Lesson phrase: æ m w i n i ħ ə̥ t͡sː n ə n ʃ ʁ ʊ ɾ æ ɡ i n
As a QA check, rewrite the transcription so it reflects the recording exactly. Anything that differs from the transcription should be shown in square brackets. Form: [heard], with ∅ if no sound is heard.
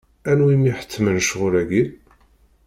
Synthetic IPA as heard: æ [n] w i [m] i ħ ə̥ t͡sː [m] ə n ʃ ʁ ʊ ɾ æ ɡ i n